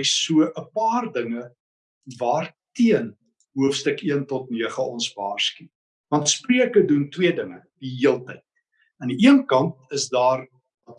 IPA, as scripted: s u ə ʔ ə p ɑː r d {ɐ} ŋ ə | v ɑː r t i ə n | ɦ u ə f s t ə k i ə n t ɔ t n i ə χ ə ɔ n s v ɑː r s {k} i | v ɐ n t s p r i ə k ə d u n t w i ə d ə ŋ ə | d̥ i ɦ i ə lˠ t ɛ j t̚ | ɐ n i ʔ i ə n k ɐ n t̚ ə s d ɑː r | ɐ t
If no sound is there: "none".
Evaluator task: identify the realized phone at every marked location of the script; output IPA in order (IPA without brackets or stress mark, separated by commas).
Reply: ə, k